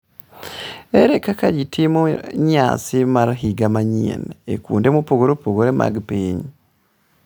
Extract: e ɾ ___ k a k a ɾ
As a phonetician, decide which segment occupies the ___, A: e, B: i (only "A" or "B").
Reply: A